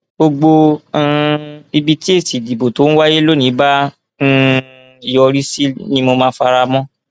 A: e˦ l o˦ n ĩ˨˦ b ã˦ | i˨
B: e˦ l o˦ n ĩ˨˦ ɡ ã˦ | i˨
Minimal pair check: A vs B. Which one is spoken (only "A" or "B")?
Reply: A